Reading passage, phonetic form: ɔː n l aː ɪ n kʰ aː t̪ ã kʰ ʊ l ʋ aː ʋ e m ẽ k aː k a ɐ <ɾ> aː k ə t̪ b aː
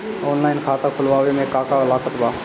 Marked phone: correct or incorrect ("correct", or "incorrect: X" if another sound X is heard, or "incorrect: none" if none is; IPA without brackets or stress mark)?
incorrect: l